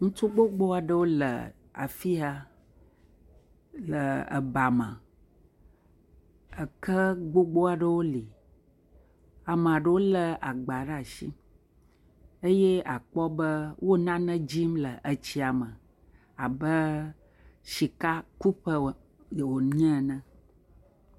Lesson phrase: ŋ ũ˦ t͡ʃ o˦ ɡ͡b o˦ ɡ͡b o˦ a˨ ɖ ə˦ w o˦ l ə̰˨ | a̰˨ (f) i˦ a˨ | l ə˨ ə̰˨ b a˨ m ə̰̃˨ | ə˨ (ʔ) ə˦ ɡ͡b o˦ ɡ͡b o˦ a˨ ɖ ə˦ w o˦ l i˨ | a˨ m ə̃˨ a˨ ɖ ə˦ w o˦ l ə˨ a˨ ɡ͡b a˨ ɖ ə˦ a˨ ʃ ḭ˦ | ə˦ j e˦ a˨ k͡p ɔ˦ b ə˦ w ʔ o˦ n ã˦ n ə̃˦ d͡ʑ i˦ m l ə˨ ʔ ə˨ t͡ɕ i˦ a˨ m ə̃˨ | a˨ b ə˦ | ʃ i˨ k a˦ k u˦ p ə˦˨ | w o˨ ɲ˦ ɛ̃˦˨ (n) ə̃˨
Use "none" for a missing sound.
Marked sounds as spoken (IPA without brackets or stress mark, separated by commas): f, k, n